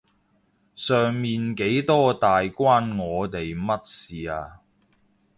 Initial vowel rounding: rounded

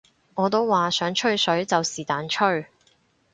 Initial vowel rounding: rounded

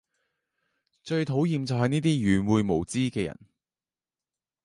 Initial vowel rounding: rounded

